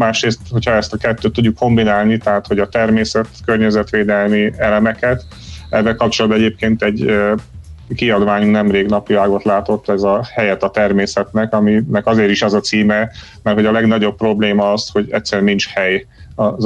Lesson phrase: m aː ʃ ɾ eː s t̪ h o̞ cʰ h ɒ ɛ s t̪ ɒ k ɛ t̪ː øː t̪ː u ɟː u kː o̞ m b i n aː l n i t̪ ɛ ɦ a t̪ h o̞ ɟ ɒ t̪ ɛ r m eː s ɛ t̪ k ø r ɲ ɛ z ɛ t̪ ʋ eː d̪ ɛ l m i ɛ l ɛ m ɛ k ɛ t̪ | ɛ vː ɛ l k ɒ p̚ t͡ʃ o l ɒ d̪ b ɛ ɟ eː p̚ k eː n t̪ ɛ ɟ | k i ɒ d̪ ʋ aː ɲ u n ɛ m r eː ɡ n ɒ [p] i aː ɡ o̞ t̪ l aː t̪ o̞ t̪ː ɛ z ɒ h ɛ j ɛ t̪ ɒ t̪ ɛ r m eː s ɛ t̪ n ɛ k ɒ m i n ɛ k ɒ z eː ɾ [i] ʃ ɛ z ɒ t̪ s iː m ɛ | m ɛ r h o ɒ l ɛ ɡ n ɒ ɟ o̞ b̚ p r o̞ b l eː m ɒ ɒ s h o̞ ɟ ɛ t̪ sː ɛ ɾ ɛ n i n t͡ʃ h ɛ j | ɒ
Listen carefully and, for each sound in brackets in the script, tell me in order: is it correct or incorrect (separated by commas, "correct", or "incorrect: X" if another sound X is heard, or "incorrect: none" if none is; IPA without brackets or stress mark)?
correct, correct